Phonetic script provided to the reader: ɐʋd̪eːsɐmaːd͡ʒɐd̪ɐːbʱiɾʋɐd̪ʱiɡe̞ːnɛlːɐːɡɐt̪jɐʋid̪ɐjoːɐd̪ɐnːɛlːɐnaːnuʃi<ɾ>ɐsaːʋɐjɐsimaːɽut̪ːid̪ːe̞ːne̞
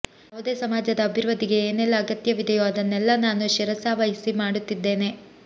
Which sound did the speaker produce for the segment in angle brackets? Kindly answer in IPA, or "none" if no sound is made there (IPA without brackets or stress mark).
ɾ